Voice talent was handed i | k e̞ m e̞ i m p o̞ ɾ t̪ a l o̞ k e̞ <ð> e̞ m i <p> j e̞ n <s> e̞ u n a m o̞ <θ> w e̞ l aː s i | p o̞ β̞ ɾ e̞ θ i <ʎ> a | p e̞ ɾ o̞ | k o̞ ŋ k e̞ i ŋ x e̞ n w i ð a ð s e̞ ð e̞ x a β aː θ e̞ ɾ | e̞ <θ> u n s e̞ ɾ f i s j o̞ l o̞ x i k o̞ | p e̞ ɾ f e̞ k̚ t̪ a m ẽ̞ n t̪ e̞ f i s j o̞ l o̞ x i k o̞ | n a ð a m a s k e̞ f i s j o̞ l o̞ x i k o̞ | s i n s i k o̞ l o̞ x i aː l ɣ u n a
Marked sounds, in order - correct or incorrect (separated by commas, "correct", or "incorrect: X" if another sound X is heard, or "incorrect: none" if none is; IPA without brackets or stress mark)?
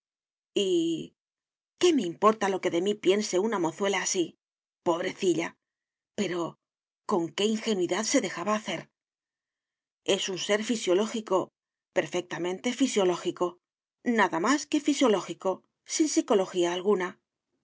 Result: correct, correct, correct, correct, correct, incorrect: s